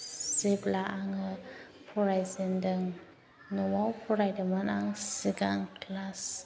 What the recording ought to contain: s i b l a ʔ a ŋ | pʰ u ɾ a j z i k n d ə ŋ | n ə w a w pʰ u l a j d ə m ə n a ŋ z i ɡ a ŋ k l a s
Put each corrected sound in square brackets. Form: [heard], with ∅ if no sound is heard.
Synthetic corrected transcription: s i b l a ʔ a ŋ | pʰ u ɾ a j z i [∅] n d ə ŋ | n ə w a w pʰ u [ɾ] a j d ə m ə n a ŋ [s] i ɡ a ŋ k l a s